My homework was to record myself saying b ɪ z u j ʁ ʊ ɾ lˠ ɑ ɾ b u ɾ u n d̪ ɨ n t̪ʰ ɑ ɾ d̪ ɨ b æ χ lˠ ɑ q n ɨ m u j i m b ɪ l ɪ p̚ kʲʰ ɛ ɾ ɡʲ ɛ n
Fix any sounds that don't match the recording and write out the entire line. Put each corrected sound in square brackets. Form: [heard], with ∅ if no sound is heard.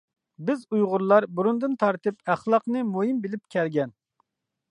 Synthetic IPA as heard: b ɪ z u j ʁ ʊ ɾ lˠ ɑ ɾ b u ɾ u n d̪ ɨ n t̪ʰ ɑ ɾ [t̪] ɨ [p] æ χ lˠ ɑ q n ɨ m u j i m b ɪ l ɪ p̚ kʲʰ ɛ ɾ ɡʲ ɛ n